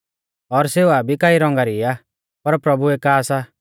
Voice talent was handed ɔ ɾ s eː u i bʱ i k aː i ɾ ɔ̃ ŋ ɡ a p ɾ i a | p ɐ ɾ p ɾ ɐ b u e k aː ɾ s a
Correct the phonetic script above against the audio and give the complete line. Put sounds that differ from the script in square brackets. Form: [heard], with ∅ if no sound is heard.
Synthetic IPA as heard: ɔ ɾ s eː u [a] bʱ i k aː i ɾ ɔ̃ ŋ ɡ a [∅] ɾ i a | p ɐ ɾ p ɾ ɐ b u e k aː [∅] s a